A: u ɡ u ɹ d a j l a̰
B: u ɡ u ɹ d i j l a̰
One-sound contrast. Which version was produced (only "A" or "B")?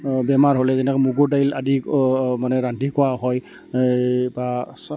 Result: A